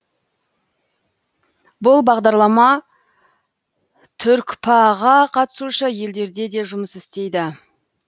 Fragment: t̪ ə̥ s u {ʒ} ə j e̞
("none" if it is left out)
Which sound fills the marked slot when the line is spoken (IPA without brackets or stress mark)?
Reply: ʃ